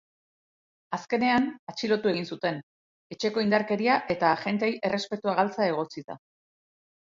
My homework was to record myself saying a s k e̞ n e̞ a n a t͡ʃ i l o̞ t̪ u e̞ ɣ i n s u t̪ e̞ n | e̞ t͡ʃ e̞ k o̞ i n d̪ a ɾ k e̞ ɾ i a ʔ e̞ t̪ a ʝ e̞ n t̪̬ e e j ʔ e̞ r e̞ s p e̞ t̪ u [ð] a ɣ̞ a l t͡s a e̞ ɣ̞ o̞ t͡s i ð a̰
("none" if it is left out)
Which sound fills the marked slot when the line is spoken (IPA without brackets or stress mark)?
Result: none